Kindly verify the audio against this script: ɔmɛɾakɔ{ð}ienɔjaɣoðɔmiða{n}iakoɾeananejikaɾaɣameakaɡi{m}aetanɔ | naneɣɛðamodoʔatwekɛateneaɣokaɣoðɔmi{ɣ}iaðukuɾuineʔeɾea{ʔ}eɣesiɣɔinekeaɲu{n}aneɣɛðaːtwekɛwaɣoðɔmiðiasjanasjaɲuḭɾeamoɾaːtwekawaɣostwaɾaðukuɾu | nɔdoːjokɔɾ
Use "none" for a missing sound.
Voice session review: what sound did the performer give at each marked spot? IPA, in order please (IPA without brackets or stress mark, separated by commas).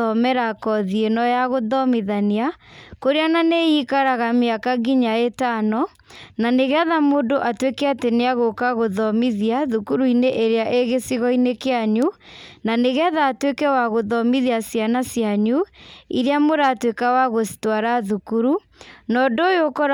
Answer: ð, n, ɲ, ð, ʔ, n